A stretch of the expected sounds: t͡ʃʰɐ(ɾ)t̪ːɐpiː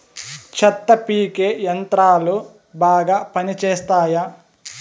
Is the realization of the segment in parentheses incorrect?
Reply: yes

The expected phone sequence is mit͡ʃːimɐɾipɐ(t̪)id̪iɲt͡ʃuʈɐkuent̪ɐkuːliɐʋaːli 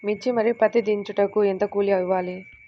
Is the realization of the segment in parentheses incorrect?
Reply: no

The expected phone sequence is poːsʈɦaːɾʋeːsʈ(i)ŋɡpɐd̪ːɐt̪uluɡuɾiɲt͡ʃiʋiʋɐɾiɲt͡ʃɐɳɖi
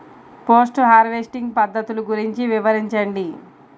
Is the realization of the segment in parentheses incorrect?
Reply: no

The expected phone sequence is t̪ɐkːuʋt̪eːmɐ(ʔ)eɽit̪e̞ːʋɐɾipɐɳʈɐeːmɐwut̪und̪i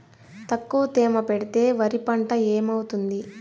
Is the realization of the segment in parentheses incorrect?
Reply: yes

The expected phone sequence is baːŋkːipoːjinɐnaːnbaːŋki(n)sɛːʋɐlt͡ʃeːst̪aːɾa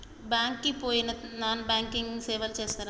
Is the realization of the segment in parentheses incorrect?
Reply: yes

